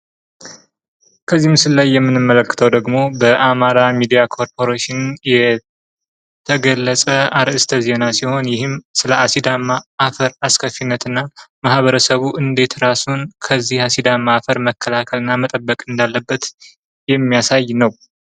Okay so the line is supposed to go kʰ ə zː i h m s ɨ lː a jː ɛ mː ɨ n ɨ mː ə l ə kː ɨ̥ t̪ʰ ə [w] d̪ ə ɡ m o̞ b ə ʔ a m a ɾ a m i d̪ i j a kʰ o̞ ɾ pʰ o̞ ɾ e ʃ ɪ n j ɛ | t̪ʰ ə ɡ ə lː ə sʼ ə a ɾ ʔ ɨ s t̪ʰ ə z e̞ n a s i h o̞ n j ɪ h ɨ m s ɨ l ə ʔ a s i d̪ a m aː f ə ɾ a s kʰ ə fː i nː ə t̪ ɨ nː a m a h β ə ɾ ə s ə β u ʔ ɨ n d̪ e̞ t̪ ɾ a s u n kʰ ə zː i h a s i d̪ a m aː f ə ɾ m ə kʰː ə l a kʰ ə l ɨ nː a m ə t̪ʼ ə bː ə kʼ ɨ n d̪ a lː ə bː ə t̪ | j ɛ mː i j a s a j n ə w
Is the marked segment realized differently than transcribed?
no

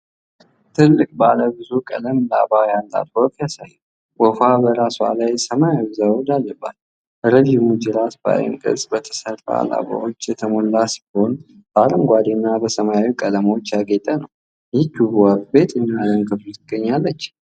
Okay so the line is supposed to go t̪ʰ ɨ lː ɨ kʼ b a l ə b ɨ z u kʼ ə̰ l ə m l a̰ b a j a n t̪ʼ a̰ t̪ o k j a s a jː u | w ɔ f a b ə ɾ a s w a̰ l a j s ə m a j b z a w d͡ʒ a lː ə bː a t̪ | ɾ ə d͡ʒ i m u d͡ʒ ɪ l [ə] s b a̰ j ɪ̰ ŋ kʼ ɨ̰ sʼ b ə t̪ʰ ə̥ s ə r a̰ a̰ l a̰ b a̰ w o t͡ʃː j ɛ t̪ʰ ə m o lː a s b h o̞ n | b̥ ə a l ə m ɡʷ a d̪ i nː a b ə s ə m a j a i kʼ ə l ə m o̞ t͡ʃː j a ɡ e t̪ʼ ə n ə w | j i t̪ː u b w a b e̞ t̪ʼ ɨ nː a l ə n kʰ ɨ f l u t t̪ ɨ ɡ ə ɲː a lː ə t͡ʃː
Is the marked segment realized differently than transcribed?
yes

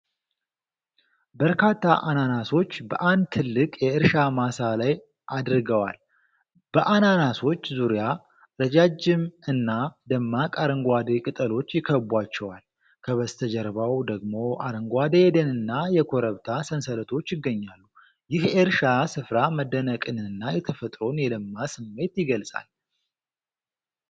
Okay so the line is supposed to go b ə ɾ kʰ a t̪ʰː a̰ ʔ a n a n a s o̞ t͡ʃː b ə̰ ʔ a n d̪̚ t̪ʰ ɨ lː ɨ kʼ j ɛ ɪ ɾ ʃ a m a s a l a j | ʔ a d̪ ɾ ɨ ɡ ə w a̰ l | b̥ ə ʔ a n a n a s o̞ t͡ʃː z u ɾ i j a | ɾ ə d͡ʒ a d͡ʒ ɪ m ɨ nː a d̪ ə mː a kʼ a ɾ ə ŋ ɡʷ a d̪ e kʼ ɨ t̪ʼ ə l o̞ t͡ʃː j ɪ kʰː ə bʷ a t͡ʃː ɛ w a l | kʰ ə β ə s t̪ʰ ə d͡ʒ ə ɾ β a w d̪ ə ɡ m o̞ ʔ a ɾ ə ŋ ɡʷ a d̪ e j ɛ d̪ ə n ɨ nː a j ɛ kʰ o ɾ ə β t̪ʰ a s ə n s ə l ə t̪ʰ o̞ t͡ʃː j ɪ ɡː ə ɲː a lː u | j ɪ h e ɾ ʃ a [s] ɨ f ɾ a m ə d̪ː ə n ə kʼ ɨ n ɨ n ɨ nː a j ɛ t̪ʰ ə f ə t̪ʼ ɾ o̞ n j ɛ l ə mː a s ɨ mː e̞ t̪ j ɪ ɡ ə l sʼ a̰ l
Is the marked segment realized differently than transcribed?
no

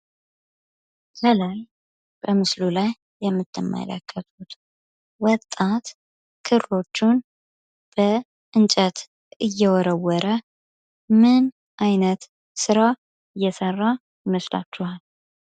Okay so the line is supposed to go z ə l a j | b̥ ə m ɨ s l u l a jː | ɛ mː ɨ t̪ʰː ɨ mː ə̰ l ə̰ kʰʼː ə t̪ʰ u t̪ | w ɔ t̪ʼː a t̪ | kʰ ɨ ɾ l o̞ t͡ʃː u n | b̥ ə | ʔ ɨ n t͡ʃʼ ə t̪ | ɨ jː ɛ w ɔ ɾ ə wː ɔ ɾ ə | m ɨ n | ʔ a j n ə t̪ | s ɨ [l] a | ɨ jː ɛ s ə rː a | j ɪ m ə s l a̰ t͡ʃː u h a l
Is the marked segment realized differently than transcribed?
yes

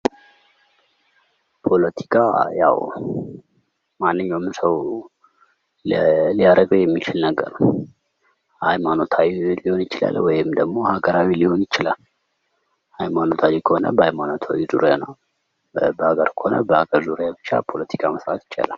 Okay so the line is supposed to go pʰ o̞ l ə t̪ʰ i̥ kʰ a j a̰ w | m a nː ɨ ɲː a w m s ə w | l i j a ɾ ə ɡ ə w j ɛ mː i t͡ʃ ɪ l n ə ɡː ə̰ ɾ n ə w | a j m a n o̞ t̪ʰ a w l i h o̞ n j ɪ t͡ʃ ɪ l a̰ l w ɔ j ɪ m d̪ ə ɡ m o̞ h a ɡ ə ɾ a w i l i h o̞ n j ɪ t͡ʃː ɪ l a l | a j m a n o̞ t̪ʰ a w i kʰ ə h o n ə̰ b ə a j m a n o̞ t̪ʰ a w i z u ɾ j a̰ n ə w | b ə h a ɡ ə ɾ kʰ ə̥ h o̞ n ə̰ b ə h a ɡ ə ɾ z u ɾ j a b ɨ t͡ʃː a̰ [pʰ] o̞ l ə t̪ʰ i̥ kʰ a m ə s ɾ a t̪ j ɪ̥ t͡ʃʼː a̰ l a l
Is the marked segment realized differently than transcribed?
no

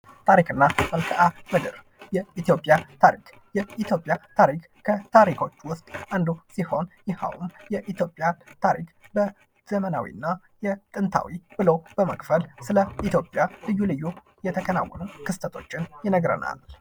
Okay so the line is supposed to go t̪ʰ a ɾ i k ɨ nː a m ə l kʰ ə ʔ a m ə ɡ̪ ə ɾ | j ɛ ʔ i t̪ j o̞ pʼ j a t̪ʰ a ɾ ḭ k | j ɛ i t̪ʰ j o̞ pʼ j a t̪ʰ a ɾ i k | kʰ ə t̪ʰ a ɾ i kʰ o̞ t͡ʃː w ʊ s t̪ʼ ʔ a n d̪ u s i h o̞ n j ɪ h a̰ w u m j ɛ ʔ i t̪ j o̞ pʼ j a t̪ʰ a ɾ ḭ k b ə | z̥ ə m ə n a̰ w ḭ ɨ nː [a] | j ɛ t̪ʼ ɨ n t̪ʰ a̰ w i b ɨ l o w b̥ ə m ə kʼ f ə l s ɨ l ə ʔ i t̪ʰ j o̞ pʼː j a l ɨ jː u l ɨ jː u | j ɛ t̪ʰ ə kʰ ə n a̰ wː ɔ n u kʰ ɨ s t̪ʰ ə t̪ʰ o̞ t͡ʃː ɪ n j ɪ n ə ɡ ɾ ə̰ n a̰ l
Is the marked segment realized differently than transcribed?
no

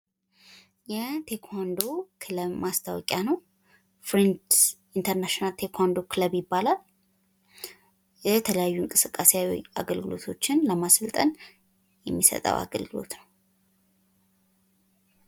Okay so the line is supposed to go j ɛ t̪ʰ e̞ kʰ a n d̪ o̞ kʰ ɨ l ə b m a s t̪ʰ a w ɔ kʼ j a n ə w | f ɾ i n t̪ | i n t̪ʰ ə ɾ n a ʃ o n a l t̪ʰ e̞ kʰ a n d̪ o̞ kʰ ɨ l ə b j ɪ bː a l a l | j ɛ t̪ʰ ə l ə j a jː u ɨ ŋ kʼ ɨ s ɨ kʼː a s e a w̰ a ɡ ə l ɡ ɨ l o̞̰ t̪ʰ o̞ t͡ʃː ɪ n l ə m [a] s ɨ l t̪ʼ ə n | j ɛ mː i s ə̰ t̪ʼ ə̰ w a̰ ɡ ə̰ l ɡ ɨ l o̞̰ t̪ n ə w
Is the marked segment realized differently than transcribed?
no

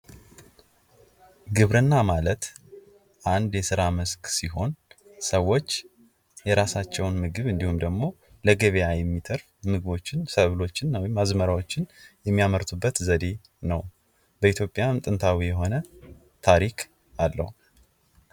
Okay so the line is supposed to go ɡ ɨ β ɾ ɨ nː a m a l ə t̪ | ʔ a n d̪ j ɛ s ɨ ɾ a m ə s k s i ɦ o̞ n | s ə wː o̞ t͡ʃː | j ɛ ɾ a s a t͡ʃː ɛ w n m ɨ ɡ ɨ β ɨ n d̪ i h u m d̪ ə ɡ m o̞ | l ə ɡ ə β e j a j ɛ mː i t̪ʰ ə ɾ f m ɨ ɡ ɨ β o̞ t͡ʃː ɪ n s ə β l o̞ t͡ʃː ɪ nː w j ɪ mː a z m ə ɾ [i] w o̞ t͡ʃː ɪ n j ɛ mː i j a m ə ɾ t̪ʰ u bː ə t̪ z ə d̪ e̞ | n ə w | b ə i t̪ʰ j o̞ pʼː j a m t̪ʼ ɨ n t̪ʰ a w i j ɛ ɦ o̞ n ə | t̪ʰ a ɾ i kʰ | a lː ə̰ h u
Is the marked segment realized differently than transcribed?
yes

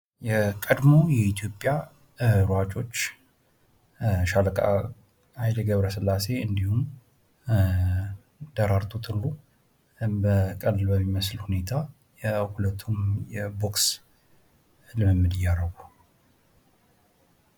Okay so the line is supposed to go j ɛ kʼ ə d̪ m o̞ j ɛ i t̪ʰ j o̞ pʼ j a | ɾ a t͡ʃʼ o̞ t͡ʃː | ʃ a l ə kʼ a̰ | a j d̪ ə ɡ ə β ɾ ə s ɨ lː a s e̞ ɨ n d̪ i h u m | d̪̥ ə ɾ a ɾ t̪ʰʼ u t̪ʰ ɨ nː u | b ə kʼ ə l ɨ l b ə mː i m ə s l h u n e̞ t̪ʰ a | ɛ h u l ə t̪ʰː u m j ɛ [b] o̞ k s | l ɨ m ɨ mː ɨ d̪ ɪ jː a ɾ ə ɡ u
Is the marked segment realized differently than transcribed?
no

